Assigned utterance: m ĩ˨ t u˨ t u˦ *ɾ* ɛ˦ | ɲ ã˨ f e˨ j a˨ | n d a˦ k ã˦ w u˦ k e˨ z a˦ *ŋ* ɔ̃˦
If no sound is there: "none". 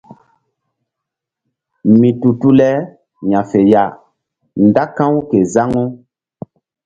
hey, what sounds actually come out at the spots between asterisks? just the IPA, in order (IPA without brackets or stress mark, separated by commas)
l, ŋ